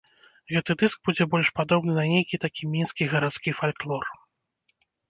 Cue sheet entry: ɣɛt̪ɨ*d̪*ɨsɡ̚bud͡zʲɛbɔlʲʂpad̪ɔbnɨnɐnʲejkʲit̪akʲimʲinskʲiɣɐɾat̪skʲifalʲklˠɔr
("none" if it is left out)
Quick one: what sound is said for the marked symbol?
d̪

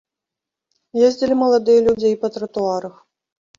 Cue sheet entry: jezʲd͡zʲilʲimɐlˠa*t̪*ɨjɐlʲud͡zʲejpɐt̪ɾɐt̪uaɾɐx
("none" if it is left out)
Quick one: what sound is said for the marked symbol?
d̪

